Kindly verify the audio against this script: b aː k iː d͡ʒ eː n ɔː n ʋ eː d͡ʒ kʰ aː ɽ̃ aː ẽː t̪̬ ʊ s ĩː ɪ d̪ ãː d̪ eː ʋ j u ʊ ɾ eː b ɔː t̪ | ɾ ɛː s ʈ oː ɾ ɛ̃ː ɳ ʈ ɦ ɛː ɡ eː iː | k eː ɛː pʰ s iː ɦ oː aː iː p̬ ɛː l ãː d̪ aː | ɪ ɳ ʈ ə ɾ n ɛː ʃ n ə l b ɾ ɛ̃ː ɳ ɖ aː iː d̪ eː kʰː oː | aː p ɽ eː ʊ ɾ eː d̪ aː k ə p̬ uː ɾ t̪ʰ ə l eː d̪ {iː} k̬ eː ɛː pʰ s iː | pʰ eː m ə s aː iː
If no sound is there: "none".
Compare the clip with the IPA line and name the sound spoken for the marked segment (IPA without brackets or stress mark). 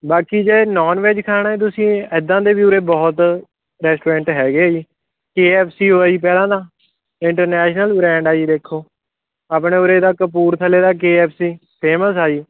aː